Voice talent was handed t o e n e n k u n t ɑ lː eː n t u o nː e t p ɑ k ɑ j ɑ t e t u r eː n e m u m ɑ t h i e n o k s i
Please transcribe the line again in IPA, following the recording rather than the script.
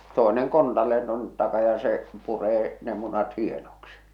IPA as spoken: t o e n e ŋ k o n t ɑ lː eː n t u o nː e t t ɑ k ɑ j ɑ s e p u r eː n e m u n ɑ t h i e n o k s i